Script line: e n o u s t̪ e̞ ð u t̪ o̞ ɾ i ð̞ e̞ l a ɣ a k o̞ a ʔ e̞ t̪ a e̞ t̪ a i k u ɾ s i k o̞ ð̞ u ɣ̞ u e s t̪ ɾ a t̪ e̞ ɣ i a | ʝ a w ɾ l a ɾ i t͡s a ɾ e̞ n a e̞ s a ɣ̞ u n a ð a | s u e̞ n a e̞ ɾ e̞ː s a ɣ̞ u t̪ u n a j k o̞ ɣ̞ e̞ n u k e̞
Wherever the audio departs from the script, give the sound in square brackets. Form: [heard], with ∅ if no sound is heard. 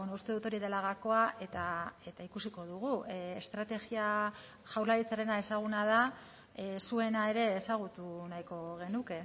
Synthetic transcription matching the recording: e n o u s t̪ e̞ ð u t̪ o̞ ɾ i ð̞ e̞ l a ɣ a k o̞ a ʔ e̞ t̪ a e̞ t̪ a i k u [∅] s i k o̞ ð̞ u ɣ̞ u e s t̪ ɾ a t̪ e̞ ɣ i a | ʝ a w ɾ l a ɾ i t͡s a ɾ e̞ n a e̞ s a ɣ̞ u n a ð a | s u e̞ n a e̞ ɾ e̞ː s a ɣ̞ u t̪ u n a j k o̞ ɣ̞ e̞ n u k e̞